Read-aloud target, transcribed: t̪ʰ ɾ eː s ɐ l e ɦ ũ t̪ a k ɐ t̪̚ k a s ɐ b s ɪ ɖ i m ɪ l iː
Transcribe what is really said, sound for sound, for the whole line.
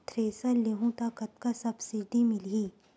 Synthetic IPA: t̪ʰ ɾ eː s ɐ l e ɦ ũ t̪ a k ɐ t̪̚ k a s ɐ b s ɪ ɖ i m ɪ l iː